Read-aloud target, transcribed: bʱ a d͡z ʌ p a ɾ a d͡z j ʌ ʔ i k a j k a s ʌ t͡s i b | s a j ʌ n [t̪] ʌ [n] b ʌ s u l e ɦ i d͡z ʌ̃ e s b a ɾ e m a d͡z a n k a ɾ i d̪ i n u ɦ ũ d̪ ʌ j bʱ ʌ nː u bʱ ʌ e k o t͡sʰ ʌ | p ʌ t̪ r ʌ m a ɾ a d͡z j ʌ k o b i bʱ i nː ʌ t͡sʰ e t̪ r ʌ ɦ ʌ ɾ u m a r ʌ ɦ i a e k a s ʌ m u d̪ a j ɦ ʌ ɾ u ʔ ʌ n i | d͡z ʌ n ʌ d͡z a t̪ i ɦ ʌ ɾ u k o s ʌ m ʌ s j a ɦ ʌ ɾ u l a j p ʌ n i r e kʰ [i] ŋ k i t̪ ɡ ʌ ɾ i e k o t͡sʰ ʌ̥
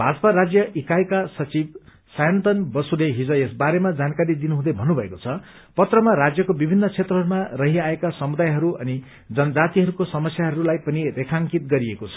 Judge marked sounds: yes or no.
yes, yes, no

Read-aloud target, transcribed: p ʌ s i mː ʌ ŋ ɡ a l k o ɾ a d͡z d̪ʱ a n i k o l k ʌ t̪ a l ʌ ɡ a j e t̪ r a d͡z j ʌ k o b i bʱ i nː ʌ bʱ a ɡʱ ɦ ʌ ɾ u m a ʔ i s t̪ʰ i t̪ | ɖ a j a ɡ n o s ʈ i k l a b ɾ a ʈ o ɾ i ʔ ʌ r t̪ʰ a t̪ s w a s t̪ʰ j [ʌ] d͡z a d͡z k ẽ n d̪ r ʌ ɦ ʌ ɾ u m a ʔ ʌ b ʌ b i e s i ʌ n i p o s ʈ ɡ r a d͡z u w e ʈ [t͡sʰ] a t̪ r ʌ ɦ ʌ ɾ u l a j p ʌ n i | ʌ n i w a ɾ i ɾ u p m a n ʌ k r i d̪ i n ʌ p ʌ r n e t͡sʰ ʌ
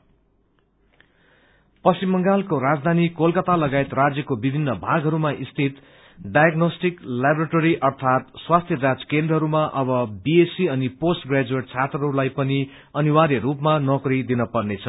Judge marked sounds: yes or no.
yes, yes

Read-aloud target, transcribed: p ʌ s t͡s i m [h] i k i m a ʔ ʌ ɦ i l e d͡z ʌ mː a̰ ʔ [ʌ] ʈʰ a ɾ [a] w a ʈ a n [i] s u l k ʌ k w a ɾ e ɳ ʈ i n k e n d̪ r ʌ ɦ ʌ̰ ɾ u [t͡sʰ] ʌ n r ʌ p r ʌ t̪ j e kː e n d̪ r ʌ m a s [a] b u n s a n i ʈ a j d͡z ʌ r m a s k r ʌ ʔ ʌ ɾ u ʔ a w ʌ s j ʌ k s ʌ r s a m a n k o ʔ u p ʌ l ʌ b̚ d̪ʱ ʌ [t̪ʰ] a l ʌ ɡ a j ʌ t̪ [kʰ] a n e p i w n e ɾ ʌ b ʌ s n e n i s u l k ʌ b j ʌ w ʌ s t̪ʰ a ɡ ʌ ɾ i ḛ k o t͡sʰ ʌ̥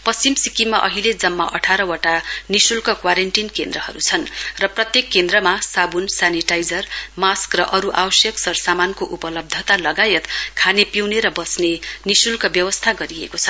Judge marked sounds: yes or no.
no, yes, no, yes, yes, yes, no, yes

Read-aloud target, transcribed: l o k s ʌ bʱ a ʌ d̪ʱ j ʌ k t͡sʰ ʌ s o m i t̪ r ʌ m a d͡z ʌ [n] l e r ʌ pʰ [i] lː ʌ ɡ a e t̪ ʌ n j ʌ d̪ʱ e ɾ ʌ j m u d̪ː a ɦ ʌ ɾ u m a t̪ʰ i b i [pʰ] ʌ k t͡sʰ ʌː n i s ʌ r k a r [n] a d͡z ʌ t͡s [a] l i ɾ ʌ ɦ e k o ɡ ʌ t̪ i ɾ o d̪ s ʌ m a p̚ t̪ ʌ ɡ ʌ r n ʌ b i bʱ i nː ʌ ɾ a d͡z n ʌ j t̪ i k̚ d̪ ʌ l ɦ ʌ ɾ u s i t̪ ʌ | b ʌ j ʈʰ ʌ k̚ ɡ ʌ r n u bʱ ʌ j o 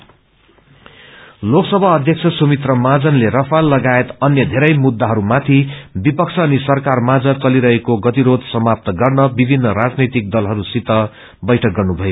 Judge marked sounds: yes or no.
yes, no, no, no, no

